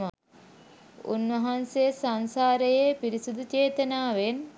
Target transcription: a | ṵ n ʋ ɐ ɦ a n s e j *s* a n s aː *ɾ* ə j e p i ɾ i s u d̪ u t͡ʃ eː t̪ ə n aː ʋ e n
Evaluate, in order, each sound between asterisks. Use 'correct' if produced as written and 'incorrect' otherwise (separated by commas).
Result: correct, correct